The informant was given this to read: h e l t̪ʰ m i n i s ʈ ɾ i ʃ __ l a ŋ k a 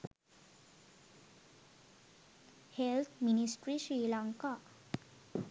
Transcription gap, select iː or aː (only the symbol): iː